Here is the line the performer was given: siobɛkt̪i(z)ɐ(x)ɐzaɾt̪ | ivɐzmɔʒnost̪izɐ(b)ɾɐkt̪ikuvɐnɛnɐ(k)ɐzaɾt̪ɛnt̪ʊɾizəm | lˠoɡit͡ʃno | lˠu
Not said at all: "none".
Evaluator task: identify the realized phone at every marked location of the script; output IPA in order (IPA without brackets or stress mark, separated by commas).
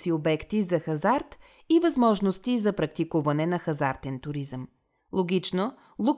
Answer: z, x, p, x